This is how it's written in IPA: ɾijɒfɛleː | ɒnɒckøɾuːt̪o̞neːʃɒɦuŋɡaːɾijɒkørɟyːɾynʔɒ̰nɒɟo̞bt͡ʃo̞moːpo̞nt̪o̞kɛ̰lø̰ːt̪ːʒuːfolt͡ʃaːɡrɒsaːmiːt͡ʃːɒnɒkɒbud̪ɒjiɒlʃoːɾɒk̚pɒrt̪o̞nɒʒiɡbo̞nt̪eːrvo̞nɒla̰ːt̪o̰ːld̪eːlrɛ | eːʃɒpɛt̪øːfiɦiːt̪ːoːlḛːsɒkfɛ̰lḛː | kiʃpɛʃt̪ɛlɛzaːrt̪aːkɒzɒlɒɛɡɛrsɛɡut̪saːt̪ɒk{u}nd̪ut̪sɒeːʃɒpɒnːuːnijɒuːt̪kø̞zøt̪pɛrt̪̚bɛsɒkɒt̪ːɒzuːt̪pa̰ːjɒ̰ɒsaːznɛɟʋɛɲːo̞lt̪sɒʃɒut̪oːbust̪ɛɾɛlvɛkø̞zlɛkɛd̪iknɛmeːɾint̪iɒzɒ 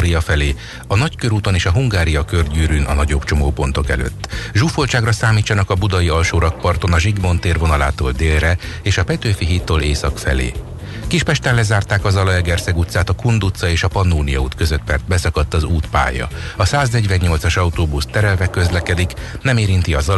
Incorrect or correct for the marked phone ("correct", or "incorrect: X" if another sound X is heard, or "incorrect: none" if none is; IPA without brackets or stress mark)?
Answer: correct